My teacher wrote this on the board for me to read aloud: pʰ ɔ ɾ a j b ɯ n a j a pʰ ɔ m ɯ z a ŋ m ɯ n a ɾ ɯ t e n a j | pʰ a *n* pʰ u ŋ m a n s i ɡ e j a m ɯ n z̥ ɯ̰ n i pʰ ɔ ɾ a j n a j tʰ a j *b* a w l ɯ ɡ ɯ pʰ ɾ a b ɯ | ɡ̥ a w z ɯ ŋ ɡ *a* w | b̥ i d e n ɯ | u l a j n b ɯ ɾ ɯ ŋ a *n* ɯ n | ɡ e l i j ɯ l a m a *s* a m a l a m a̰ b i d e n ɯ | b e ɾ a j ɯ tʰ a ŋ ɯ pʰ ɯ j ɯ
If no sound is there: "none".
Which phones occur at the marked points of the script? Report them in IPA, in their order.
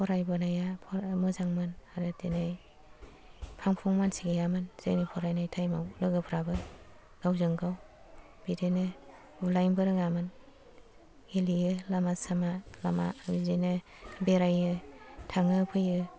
ŋ, m, a, m, s

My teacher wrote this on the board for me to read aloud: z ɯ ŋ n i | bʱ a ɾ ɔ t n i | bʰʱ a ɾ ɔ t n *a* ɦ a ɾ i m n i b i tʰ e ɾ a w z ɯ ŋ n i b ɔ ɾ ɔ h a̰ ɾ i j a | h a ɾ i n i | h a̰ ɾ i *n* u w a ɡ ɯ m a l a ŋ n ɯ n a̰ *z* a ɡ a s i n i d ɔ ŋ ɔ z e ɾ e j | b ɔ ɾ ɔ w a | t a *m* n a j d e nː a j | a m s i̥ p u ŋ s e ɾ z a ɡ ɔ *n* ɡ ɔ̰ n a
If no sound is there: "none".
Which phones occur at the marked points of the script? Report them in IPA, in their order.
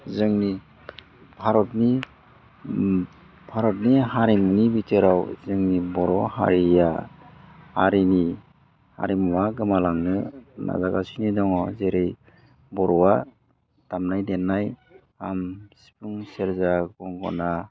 i, m, z, m, ŋ

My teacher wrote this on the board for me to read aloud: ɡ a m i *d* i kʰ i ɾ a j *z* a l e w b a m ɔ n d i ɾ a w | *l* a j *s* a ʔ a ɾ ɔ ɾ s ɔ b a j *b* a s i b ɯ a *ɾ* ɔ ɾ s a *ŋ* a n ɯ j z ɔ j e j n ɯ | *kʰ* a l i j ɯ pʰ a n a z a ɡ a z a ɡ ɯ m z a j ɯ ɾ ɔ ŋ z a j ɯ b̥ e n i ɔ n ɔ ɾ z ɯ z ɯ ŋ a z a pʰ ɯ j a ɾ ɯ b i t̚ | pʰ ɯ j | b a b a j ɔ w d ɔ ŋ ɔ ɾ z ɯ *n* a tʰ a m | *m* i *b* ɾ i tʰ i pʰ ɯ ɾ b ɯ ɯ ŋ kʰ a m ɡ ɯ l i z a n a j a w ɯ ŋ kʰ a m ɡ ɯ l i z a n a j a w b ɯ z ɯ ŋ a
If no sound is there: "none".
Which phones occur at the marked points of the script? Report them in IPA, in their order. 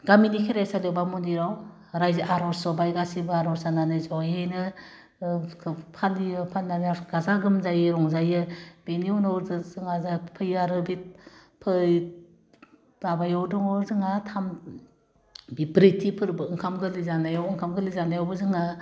n, s, ɾ, z, ɡ, ɾ, n, pʰ, ŋ, b, b

